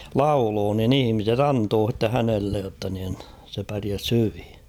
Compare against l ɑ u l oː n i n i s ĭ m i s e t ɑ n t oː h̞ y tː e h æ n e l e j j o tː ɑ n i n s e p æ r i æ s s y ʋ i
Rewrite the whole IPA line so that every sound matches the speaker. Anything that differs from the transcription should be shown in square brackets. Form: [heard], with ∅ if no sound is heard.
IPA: l ɑ u l oː n i n i [h] ĭ m i s e t ɑ n t oː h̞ [i] tː e h æ n e [lː] e j j o tː ɑ n i n s e p æ r i æ s [h] y ʋ i